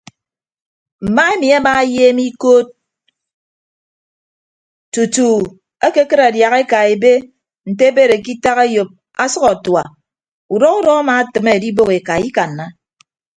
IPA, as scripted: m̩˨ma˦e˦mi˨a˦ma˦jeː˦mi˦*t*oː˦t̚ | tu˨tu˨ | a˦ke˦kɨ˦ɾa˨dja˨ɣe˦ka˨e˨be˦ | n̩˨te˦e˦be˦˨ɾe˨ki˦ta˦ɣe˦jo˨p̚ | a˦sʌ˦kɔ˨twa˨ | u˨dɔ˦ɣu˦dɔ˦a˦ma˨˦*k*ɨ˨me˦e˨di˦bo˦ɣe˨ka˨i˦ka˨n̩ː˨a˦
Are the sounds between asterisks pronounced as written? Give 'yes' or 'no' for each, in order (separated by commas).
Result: no, no